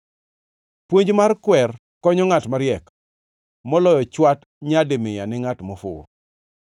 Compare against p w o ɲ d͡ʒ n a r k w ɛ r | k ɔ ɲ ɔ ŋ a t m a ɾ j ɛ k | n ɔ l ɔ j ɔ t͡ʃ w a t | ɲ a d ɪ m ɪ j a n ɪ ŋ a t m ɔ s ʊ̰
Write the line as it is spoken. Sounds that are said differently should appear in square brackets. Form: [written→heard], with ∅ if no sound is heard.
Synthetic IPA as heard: p w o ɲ d͡ʒ [n→m] a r k w ɛ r | k ɔ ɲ ɔ ŋ a t m a ɾ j ɛ k | [n→m] ɔ l ɔ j ɔ t͡ʃ w a t | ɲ a d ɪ m ɪ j a n ɪ ŋ a t m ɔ [s→f] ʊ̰

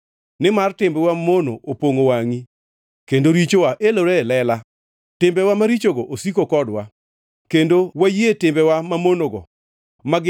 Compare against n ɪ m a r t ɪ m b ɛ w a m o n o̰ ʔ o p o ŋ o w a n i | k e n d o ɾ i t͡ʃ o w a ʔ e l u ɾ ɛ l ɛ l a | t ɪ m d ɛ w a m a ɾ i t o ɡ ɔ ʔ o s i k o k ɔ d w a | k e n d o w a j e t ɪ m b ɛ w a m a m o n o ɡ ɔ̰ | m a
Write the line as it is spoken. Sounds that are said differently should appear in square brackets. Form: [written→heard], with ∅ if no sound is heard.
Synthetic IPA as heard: n ɪ m a r t ɪ m b ɛ w a m o n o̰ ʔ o p o ŋ o w a [n→ŋ] i | k e n d o ɾ i t͡ʃ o w a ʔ e l [u→o] ɾ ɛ l ɛ l a | t ɪ m [d→b] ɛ w a m a ɾ i [t→t͡ʃ] o ɡ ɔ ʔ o s i k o k ɔ d w a | k e n d o w a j e t ɪ m b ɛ w a m a m o n o ɡ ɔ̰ | m a

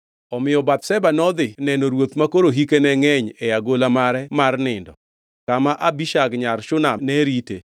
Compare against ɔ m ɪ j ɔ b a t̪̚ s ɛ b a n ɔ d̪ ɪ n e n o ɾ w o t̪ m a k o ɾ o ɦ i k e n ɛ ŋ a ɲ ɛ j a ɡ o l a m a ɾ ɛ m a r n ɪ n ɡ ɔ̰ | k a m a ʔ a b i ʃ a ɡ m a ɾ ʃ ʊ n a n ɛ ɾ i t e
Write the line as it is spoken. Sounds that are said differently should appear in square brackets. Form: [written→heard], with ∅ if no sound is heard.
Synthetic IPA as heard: ɔ m ɪ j ɔ b a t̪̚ s ɛ b a n ɔ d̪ ɪ n [e→ɛ] n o ɾ w o t̪ m a k o ɾ o ɦ i k e n ɛ ŋ [a→ɛ] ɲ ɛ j a ɡ o l a m a ɾ ɛ m a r n ɪ n [ɡ→d] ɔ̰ | k a m a ʔ a b i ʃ a ɡ [m→ɲ] a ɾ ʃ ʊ n a n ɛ ɾ i t e

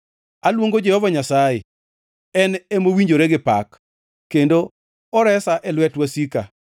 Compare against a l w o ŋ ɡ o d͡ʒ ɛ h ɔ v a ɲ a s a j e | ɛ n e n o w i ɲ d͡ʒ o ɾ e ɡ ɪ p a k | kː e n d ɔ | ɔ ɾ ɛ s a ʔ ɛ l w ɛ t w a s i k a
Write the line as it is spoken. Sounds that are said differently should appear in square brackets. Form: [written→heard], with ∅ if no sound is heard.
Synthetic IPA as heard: a l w o ŋ ɡ o d͡ʒ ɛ h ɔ v a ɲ a s a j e | ɛ n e [n→m] o w i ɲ d͡ʒ o ɾ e ɡ ɪ p a k | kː e n d [ɔ→o] | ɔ ɾ ɛ s a ʔ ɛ l w ɛ t w a s i k a

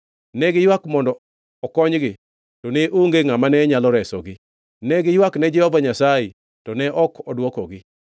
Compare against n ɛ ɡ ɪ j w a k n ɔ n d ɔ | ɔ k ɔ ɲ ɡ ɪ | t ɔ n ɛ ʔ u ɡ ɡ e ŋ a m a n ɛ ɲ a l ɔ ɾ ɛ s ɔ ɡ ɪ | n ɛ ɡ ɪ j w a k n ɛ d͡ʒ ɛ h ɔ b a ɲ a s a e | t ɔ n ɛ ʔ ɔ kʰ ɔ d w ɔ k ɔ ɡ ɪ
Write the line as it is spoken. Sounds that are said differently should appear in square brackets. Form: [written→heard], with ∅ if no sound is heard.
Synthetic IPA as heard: n ɛ ɡ ɪ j w a k [n→m] ɔ n d ɔ | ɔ k ɔ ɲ ɡ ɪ | t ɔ n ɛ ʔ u [ɡ→ŋ] ɡ e ŋ a m a n ɛ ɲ a l ɔ ɾ ɛ s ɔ ɡ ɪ | n ɛ ɡ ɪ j w a k n ɛ d͡ʒ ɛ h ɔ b a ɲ a s a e | t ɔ n ɛ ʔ ɔ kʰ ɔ d w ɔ k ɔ ɡ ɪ

